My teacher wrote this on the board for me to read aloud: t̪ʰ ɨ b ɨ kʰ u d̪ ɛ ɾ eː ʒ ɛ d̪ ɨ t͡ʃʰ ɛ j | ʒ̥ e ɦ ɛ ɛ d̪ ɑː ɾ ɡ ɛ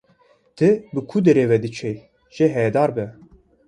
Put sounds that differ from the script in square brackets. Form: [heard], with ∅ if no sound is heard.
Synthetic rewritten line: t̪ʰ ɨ b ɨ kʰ u d̪ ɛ ɾ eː [v] ɛ d̪ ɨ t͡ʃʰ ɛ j | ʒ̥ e ɦ ɛ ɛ d̪ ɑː ɾ [b] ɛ